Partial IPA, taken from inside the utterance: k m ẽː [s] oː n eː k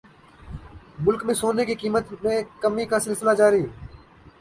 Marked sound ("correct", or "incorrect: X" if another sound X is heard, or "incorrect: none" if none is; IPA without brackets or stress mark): correct